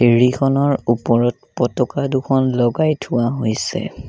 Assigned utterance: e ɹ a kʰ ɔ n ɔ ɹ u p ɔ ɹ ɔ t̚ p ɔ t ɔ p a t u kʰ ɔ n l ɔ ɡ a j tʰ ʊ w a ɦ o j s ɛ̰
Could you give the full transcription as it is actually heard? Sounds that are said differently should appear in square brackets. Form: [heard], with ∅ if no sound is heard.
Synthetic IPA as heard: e ɹ [i] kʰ ɔ n ɔ ɹ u p ɔ ɹ ɔ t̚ p ɔ t ɔ [k] a [d] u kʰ ɔ n l ɔ ɡ a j tʰ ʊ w a ɦ o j s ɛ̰